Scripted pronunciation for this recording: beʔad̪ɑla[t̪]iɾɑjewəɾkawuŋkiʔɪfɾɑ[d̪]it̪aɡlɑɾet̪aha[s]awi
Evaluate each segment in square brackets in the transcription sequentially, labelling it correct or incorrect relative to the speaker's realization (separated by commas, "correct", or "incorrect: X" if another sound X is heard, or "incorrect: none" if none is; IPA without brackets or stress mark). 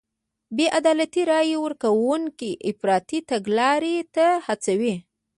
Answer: correct, incorrect: t̪, incorrect: t͡s